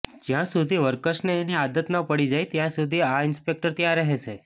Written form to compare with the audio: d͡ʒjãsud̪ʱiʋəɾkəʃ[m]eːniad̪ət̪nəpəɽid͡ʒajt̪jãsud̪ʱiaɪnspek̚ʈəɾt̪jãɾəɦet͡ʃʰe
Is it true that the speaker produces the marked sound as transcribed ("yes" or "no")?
no